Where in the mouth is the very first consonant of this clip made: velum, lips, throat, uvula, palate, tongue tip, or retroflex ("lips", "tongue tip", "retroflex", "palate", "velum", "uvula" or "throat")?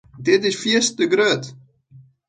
tongue tip